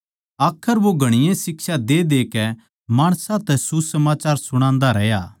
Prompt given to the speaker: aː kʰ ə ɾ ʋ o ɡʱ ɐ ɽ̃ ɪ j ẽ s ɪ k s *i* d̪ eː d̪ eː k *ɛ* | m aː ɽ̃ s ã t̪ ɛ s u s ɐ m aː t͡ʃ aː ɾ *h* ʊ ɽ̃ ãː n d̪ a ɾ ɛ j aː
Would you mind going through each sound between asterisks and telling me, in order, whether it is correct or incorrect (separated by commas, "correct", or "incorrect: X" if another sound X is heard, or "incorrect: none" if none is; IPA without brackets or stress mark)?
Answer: incorrect: a, correct, incorrect: s